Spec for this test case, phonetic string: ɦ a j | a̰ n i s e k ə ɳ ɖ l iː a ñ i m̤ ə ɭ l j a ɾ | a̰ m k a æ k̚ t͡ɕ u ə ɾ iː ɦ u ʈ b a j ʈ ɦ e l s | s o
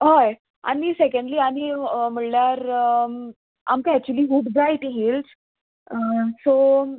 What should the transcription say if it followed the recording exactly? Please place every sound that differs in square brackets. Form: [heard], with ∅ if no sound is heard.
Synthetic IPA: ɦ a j | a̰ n i s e k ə ɳ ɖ l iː a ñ i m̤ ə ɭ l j a ɾ | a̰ m k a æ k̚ t͡ɕ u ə [l] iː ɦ u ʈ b a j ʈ ɦ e l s | s o